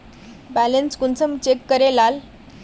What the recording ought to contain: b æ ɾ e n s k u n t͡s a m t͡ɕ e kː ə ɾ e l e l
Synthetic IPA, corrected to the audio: b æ l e n s k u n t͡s ə m t͡ɕ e kː ə ɾ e l a l